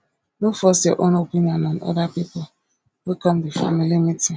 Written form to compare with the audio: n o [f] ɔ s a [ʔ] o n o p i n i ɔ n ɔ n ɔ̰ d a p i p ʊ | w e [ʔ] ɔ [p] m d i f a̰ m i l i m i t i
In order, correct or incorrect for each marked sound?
correct, correct, incorrect: k, incorrect: none

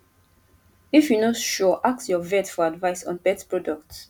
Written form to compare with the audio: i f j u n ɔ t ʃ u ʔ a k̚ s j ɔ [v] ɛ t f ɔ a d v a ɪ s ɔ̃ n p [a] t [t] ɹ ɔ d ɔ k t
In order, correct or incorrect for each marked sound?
correct, incorrect: ɛ, incorrect: p

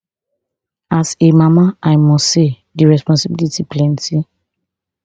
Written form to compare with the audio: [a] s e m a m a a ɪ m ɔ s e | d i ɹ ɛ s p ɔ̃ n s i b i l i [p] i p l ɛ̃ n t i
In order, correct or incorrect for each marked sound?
correct, incorrect: t

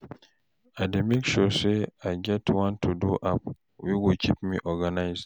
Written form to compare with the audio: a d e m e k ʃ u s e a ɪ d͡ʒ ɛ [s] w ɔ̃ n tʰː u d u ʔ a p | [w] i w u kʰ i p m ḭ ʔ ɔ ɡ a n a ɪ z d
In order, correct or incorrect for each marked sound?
incorrect: t, correct

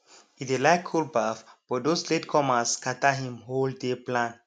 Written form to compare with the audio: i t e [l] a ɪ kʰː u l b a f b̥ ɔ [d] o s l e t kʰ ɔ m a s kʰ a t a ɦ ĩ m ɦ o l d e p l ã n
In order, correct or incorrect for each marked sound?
correct, correct

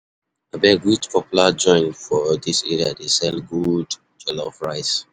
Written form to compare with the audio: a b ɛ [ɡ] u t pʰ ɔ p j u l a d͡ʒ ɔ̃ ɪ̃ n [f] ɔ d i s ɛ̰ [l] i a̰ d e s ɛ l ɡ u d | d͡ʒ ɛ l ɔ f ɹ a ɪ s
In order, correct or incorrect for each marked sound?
correct, correct, incorrect: ɹ

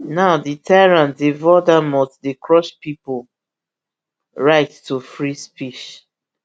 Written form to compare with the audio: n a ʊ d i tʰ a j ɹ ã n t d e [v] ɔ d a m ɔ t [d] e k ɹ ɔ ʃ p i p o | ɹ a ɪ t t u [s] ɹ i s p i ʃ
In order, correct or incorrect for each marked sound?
correct, correct, incorrect: f

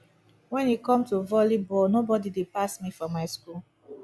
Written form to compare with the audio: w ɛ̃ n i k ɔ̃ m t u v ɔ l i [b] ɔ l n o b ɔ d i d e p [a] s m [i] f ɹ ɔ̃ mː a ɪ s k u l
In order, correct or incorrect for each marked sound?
correct, correct, correct

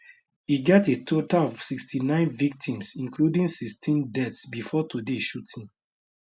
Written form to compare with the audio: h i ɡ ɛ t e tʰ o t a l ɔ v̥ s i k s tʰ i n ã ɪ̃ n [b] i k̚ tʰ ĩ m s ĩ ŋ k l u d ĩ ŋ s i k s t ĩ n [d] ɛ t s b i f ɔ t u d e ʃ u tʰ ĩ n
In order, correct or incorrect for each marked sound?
incorrect: v, correct

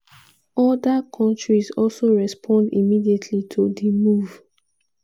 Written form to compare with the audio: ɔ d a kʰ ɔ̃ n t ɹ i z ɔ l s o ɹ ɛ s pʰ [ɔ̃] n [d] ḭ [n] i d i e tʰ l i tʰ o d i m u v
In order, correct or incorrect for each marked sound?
correct, correct, incorrect: m

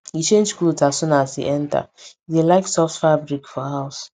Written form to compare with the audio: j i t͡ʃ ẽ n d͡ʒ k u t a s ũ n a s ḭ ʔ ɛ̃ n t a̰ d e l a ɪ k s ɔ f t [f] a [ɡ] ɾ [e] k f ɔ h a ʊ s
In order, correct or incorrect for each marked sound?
correct, incorrect: b, incorrect: i

